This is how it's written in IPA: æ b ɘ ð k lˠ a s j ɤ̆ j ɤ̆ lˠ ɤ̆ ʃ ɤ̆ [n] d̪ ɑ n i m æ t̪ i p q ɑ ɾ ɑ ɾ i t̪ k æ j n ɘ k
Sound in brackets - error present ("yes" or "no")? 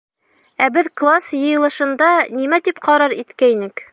no